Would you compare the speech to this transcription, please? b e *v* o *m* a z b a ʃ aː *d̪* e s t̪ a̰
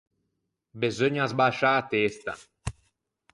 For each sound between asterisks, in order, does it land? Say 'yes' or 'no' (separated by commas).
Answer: no, no, no